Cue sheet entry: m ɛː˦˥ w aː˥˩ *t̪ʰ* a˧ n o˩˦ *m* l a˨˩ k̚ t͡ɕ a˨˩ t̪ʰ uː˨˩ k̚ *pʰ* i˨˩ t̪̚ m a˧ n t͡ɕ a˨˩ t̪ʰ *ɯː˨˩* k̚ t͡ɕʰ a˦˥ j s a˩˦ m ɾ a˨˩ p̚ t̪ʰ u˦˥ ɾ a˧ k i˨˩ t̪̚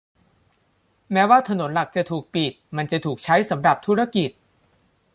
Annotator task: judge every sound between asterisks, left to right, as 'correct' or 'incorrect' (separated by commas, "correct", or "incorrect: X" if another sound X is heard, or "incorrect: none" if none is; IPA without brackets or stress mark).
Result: correct, incorrect: n, incorrect: p, incorrect: uː˨˩